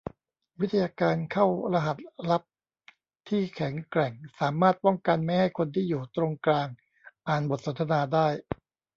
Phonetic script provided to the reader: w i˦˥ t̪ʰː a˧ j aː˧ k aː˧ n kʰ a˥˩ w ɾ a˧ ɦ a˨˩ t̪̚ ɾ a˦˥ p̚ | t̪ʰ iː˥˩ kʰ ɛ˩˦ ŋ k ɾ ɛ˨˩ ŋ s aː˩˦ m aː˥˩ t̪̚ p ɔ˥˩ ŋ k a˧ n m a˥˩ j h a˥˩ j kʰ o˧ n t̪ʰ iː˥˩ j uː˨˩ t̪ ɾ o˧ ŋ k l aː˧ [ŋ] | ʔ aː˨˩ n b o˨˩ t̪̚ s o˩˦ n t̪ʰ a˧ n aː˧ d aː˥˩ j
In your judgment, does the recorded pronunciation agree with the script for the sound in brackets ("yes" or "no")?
yes